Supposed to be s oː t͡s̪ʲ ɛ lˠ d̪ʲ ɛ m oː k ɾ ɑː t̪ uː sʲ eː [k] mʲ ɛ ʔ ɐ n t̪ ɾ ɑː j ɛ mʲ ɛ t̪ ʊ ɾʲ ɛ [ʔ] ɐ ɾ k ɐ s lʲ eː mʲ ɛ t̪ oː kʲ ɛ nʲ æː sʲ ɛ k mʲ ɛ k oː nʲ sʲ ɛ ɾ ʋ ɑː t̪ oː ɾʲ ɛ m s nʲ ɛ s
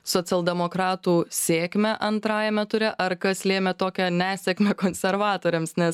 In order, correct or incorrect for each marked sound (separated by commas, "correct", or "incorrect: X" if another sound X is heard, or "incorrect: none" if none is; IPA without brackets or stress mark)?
correct, correct